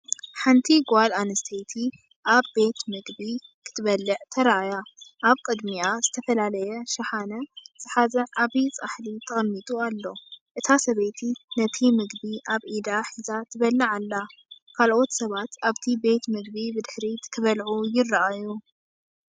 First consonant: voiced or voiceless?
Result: voiceless